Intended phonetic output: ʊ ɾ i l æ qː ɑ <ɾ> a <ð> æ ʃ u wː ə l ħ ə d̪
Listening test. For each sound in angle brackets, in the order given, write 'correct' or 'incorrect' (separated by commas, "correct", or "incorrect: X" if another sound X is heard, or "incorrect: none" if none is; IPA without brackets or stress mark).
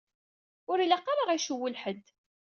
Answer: correct, incorrect: ʁ